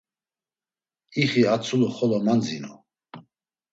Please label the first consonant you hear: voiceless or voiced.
voiceless